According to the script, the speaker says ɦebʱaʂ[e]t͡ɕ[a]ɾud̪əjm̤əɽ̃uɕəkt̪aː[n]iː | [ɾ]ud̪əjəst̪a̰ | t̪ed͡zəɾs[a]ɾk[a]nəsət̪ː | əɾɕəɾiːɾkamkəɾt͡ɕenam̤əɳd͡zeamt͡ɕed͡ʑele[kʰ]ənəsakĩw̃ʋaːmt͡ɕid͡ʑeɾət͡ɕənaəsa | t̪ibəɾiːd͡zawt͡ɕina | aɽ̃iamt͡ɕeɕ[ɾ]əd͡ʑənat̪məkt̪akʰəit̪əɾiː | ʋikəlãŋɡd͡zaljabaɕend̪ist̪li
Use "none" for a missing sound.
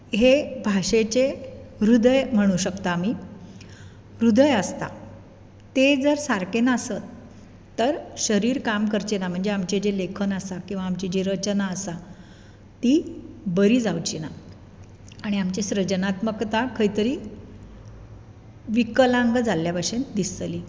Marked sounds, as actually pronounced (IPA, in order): e, e, m, ɾ, a, e, kʰ, ɾ

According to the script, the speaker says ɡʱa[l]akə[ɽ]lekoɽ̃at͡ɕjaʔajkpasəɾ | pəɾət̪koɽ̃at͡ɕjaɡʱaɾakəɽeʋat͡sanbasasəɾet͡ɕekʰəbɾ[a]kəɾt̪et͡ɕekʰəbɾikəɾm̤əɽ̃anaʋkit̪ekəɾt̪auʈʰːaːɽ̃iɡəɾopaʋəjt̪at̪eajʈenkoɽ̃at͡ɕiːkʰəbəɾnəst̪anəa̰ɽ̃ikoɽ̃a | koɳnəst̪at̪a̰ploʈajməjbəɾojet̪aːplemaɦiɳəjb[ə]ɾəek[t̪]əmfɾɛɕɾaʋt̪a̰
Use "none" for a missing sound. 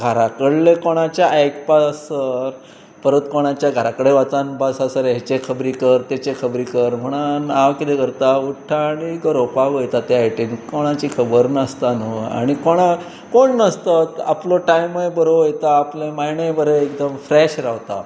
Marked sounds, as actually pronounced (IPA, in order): ɾ, ɽ, i, ə, d̪

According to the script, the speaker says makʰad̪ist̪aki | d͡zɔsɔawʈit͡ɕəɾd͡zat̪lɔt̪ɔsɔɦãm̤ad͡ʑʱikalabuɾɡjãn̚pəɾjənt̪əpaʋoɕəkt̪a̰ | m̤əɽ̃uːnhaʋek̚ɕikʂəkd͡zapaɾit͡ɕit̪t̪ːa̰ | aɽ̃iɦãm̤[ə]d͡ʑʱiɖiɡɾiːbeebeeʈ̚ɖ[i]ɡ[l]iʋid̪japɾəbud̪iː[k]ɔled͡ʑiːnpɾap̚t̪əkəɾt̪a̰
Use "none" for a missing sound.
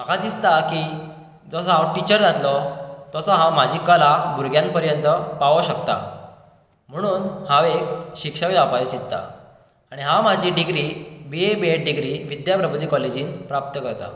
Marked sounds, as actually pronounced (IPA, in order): a, i, ɾ, k

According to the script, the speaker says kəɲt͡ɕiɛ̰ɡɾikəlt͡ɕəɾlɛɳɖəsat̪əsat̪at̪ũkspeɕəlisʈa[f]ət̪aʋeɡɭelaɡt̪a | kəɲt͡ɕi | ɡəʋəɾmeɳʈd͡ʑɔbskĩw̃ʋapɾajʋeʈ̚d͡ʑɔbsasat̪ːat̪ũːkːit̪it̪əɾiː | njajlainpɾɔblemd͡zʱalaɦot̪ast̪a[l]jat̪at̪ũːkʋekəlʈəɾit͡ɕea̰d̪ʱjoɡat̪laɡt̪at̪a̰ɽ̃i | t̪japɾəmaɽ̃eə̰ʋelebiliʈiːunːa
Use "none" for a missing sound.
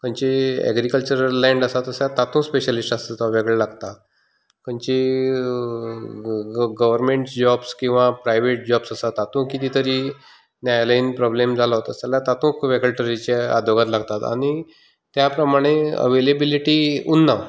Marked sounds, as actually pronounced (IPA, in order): s, l

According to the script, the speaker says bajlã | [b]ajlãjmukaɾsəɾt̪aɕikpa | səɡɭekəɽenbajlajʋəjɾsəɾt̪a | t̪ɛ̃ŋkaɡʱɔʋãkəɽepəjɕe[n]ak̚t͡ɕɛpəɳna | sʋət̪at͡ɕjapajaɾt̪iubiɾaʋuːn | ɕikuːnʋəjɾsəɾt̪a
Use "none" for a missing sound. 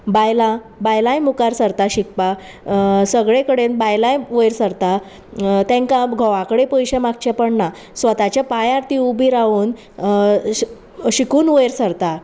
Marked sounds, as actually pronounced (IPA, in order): b, m

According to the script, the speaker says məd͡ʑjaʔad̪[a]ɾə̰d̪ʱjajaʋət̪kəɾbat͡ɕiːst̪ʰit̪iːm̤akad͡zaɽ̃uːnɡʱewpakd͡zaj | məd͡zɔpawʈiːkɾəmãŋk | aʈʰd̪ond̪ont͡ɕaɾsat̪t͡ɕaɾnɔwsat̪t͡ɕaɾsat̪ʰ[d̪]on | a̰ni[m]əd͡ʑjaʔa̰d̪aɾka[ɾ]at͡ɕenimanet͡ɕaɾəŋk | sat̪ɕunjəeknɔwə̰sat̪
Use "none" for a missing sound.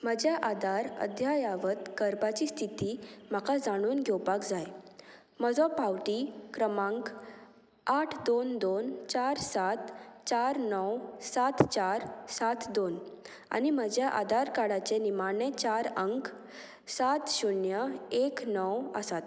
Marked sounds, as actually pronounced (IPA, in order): a, d̪, m, ɽ

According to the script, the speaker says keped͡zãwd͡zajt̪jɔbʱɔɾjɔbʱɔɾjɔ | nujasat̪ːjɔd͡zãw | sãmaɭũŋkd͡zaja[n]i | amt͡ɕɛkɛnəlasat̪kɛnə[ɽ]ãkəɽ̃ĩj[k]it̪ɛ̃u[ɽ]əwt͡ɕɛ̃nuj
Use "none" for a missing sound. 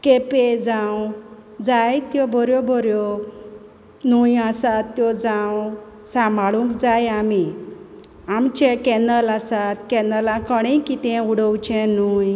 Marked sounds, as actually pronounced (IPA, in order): m, l, k, ɽ

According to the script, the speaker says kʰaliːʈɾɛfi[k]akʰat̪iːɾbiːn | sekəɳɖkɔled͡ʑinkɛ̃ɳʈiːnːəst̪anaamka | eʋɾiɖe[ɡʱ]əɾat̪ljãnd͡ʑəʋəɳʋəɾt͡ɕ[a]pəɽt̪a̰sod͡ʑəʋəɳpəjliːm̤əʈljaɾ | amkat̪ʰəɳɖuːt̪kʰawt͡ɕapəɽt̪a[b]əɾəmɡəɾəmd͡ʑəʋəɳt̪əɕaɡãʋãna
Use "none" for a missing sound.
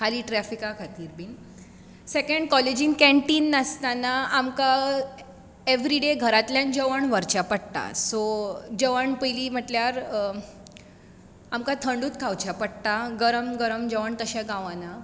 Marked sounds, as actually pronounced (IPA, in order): k, ɡʱ, a, ɡ

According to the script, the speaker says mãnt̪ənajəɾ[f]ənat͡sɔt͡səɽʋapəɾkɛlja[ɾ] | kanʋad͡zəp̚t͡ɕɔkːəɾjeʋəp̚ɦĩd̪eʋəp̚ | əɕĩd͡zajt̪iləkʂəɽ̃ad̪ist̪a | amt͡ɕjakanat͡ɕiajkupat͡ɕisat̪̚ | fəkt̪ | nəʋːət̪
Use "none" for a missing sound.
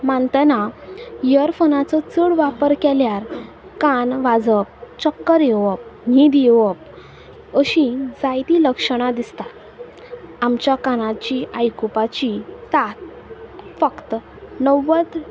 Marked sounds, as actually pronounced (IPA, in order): f, ɾ

